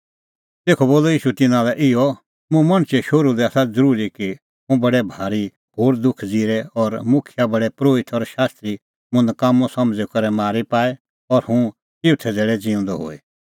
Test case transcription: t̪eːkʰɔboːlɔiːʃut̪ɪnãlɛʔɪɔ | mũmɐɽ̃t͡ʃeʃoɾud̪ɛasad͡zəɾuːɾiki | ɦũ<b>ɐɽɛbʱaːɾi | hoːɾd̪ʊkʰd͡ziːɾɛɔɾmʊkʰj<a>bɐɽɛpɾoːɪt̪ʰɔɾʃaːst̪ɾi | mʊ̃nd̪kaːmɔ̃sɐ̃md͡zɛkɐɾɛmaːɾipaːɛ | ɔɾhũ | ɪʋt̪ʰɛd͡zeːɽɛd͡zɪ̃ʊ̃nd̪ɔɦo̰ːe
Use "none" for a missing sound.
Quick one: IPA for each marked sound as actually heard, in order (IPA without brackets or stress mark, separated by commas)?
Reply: b, a